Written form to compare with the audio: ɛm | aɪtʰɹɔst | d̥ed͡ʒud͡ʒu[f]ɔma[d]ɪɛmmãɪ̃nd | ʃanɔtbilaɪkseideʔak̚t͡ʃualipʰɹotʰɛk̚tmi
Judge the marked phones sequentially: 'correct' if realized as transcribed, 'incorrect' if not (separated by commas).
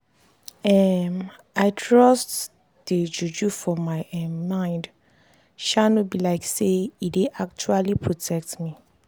correct, incorrect